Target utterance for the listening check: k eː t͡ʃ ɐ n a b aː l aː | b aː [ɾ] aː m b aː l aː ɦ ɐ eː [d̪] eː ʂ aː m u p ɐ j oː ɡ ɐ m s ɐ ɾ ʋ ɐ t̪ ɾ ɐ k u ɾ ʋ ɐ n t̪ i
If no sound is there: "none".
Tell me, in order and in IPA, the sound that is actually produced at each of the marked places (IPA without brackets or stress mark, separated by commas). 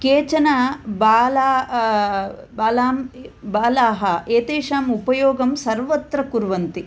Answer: l, t̪